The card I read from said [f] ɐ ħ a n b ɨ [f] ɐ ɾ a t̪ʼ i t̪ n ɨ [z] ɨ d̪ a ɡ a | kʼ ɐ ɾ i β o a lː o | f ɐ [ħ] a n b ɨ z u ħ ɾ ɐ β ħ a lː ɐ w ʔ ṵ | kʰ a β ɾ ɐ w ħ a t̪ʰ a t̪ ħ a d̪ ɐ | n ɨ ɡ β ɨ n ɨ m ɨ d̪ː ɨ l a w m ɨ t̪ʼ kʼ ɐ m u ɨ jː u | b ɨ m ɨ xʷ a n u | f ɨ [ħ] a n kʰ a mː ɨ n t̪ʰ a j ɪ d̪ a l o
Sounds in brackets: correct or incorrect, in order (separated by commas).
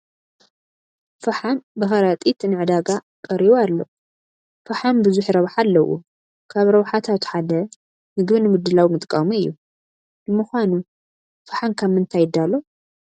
correct, incorrect, incorrect, correct, correct